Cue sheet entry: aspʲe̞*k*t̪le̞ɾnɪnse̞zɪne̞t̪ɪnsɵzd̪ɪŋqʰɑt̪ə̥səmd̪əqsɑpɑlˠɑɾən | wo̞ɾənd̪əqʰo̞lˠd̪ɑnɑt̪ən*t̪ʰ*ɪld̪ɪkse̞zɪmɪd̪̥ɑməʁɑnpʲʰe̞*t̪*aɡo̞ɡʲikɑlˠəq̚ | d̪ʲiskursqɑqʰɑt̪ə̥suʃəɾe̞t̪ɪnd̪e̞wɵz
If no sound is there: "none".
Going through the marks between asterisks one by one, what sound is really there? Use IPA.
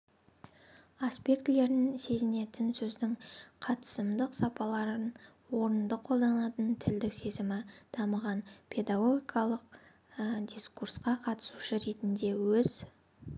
k, t̪ʰ, d̪

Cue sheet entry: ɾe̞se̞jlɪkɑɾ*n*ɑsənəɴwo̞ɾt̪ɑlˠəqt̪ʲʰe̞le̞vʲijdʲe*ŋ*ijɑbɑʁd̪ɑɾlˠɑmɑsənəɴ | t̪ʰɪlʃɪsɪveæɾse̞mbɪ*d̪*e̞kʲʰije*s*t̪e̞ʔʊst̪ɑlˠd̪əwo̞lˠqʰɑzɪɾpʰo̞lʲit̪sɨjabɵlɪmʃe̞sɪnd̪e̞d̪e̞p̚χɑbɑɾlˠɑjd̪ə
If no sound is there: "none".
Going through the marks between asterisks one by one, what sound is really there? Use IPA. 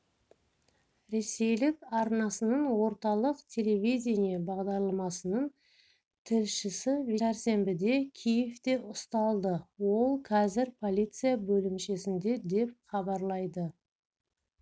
n, n, d̪, f

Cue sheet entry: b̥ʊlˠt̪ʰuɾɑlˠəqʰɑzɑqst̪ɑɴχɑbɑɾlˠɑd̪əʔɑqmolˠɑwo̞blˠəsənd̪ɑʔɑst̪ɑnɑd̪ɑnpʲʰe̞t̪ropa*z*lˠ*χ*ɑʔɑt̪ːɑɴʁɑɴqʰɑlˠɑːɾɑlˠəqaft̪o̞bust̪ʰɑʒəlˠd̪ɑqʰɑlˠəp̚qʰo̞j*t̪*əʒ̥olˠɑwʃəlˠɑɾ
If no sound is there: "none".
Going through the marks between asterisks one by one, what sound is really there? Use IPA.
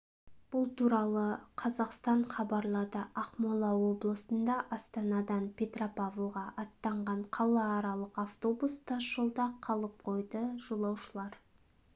v, ʁ, d̪

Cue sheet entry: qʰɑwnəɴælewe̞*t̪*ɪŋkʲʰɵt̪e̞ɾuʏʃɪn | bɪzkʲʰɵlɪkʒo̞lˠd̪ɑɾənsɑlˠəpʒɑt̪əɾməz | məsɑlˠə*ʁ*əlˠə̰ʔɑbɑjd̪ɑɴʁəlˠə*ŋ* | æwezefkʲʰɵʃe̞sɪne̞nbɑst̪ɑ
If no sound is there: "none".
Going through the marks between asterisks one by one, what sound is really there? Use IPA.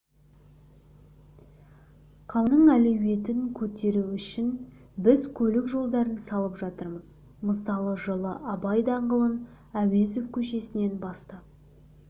t̪, ʒ, n

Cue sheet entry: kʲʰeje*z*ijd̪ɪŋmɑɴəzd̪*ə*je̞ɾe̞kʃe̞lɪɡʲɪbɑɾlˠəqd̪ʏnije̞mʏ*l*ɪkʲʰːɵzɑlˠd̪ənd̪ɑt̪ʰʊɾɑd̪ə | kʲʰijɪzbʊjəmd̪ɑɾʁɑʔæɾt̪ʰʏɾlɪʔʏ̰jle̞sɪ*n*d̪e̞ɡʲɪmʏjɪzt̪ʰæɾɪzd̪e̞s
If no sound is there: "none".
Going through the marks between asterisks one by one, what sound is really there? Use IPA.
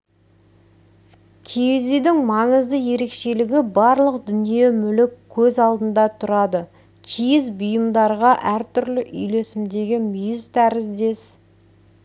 z, ə, l, m

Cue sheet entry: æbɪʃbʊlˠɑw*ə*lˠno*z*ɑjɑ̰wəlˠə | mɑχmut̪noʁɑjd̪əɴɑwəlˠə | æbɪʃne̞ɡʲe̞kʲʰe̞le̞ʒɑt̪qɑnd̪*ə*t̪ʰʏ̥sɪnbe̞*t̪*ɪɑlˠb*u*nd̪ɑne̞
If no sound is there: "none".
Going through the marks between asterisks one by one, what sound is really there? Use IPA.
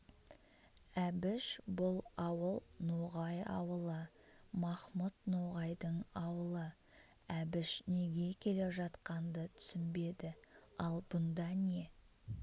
ə, ʁ, ə, d̪, ʊ

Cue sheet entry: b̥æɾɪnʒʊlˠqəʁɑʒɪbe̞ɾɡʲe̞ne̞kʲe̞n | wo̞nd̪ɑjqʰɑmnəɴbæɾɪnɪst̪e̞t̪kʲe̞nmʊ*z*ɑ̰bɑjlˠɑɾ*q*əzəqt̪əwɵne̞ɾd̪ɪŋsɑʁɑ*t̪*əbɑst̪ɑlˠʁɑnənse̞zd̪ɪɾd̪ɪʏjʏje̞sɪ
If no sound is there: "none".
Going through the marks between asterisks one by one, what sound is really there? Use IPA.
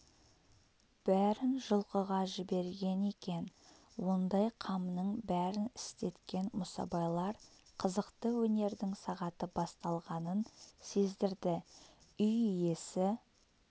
s, qʰ, t̪

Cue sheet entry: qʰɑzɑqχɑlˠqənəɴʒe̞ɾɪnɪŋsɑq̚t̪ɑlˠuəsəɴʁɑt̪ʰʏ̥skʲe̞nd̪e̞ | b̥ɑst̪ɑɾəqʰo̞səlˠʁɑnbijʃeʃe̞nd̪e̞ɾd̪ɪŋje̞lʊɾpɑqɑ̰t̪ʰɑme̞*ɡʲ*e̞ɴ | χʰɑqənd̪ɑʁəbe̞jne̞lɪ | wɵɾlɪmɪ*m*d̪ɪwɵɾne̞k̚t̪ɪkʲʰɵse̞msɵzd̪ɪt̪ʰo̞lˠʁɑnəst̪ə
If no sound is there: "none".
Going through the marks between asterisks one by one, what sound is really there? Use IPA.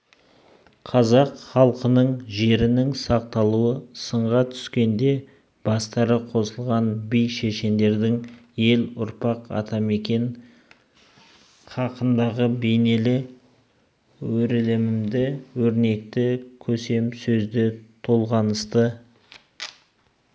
kʲ, m

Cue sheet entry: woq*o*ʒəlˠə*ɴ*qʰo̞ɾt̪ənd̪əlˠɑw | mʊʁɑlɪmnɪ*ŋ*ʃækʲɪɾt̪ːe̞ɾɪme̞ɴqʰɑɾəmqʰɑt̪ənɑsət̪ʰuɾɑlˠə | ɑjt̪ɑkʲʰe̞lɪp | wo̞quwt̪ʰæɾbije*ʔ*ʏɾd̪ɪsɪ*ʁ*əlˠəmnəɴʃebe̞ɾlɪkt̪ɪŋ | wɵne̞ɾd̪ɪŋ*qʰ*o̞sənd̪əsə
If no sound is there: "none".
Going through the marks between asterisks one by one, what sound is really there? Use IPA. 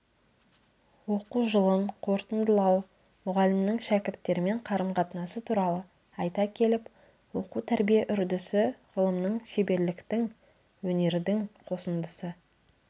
u, m, ŋ, ʔ, ʁ, qʰ

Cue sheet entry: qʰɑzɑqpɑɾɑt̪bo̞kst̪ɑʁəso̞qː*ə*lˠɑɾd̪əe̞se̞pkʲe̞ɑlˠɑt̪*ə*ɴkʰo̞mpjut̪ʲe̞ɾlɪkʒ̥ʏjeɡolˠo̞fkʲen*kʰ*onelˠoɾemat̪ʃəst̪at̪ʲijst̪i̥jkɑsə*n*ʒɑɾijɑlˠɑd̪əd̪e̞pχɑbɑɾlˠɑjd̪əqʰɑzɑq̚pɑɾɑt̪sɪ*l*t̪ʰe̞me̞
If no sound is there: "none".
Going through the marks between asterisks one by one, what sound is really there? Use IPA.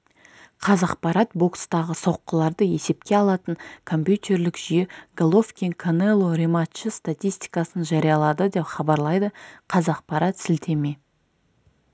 ə, ə, kʰ, n, l

